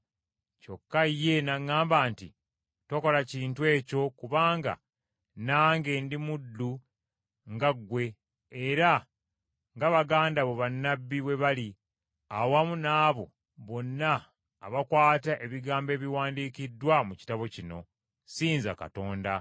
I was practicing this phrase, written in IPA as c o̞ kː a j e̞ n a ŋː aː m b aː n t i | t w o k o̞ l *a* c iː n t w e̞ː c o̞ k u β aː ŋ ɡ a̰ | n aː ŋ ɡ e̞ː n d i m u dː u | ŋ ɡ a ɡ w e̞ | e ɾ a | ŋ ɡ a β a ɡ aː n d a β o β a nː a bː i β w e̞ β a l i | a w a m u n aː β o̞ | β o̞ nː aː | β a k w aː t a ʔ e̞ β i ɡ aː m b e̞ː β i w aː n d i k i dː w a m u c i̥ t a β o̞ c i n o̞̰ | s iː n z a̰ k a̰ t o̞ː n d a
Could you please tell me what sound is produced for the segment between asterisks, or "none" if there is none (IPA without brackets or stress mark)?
a